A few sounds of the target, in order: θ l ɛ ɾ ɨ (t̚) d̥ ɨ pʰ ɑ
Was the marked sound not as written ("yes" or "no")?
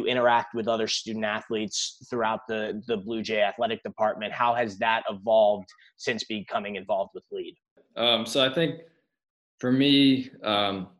yes